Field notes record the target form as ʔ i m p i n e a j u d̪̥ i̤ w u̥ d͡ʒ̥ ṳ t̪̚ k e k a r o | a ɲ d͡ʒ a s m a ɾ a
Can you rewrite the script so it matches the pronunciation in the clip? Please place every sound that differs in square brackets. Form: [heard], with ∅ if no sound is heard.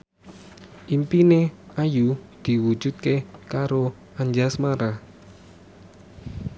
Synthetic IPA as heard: ʔ i m p i n e a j u d̪̥ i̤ w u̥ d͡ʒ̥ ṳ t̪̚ k e k a [ɾ] o | a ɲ d͡ʒ a s m a ɾ a